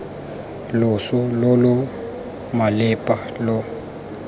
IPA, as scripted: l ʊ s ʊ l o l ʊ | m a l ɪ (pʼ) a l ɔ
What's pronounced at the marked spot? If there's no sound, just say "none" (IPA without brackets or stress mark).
pʼ